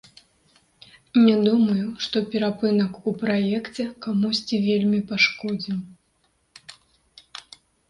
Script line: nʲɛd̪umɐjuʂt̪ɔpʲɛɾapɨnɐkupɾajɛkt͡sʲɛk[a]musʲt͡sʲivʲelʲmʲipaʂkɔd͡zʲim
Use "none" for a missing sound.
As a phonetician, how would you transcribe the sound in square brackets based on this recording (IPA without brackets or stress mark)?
a